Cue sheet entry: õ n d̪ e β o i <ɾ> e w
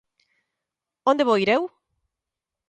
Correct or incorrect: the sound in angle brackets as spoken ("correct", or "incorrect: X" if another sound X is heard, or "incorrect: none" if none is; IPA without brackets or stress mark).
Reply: correct